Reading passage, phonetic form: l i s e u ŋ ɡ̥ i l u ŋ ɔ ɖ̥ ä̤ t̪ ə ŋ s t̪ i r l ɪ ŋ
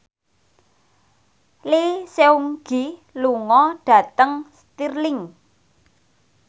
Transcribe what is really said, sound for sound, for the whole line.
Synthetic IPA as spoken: l i s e u ŋ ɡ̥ i l u ŋ ɔ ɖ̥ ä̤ t̪ ə ŋ s t̪ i r l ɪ ŋ